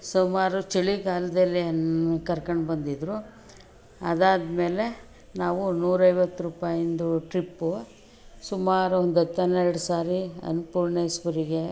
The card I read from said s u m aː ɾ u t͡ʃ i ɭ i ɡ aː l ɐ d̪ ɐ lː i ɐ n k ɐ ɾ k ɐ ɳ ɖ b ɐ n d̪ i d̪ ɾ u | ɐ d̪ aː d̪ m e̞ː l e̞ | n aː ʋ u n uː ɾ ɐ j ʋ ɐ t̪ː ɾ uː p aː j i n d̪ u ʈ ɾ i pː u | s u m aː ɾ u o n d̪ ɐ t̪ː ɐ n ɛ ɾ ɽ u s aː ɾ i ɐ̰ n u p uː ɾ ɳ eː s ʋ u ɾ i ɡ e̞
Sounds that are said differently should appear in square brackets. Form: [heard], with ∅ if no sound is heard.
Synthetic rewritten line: s u m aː ɾ u t͡ʃ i ɭ i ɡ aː l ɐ d̪ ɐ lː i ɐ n k ɐ ɾ k ɐ ɳ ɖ b ɐ n d̪ i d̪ ɾ u | ɐ d̪ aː d̪ m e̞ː l e̞ | n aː ʋ u n uː ɾ ɐ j ʋ ɐ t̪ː ɾ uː p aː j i n d̪ u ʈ ɾ i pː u | s u m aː ɾ u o n d̪ ɐ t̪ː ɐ n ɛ ɾ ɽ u s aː ɾ i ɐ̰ n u p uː ɾ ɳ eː s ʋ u ɾ i ɡ e̞